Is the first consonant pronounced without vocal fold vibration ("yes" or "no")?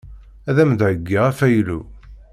no